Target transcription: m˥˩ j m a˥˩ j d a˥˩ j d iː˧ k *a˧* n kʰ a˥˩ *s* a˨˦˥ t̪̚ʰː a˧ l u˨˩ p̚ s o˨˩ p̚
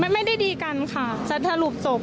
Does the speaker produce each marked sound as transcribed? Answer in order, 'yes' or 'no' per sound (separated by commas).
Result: yes, yes